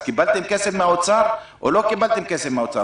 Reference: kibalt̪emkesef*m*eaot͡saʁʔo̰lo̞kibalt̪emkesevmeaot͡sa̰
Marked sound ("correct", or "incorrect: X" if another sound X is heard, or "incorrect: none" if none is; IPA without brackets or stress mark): correct